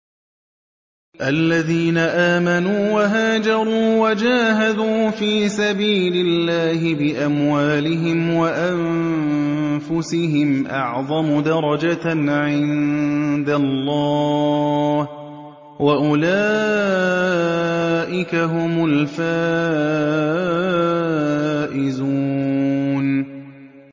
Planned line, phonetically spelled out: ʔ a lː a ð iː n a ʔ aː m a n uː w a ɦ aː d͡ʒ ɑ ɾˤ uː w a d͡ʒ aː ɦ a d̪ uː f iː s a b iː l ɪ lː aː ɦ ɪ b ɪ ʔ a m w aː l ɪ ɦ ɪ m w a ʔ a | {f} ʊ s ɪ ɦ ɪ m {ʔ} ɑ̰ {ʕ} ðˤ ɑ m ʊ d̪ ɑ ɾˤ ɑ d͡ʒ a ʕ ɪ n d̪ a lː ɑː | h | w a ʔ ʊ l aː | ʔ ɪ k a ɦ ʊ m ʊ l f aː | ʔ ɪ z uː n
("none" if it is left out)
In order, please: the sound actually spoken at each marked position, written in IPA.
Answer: f, ʔ, ʕ

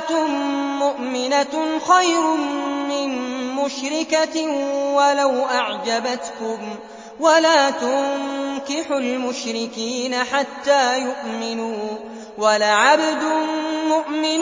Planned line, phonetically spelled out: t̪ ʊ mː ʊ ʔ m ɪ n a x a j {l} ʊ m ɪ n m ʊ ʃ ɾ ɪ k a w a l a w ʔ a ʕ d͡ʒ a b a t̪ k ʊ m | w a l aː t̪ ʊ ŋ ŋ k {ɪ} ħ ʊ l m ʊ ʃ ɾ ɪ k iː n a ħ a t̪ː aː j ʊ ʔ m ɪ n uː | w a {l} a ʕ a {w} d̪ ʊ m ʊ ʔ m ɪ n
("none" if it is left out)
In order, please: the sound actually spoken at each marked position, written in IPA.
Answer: ɾ, ɪ, l, b

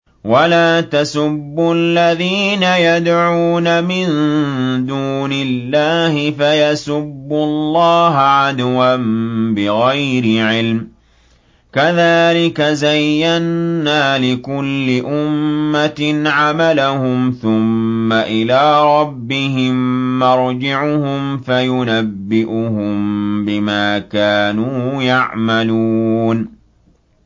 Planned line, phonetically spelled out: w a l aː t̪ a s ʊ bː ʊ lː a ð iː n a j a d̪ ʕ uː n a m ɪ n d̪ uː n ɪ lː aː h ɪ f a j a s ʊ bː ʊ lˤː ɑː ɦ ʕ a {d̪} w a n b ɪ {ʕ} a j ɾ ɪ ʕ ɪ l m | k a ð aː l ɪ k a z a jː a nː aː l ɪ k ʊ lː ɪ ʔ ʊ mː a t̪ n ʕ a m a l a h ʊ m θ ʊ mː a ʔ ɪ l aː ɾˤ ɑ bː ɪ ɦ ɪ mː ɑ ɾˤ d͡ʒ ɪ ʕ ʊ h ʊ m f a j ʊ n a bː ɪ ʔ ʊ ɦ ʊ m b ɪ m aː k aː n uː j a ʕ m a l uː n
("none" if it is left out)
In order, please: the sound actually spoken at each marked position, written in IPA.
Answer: d̪, ɣ

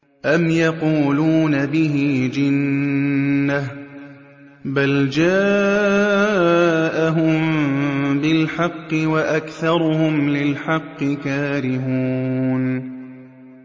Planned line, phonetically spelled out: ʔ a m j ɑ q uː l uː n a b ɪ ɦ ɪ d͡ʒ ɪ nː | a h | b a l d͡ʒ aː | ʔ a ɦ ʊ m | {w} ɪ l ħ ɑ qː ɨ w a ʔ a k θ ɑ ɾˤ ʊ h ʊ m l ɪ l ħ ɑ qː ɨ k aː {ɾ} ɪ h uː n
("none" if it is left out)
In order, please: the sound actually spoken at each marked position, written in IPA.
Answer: b, ɾ

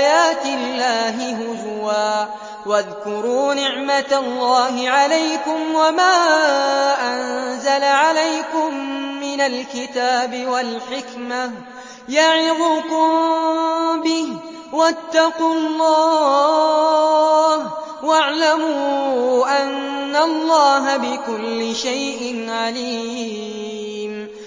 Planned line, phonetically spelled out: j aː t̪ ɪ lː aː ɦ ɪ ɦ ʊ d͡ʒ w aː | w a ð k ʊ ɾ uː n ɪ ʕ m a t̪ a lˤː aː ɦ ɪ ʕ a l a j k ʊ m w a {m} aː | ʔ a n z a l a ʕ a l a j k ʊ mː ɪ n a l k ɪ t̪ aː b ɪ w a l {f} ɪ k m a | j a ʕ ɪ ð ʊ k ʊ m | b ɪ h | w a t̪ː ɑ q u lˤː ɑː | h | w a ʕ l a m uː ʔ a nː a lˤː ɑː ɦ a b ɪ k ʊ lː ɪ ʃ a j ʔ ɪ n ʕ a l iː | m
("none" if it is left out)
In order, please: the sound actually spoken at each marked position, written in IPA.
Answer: m, ħ

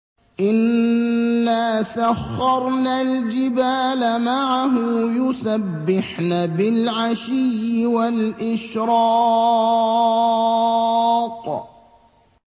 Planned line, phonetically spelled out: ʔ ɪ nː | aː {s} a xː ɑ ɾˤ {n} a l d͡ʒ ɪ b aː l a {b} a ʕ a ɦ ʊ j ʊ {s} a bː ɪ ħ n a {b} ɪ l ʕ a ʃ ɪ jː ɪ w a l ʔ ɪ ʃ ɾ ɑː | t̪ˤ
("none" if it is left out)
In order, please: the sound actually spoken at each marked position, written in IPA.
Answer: s, n, m, s, b

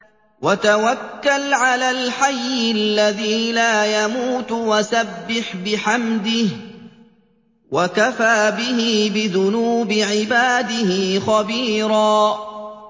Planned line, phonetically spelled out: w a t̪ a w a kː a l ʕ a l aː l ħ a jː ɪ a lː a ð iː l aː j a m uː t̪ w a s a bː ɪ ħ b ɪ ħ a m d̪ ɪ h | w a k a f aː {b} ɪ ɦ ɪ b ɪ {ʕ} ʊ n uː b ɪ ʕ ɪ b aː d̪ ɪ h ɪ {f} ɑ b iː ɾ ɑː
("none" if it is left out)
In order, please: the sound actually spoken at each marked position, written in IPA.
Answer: b, ð, x

